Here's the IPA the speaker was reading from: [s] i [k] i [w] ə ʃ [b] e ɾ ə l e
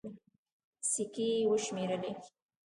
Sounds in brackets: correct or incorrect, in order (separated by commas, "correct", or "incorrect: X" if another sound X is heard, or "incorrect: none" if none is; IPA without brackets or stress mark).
correct, correct, correct, incorrect: m